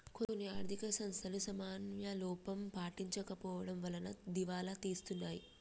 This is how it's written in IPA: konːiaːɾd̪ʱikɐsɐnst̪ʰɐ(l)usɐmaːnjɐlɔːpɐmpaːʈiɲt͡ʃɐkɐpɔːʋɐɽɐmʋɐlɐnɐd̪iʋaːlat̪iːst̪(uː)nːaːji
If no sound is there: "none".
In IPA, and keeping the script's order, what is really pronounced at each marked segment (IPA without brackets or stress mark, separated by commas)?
l, u